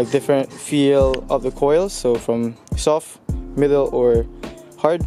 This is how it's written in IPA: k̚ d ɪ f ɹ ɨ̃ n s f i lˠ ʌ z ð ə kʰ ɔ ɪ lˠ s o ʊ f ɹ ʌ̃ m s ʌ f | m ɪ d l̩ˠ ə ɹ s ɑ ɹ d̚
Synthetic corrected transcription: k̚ d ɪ f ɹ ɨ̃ n t f i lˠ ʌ v ð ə kʰ ɔ ɪ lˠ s o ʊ f ɹ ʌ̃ m s ɔ f | m ɪ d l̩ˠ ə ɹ h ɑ ɹ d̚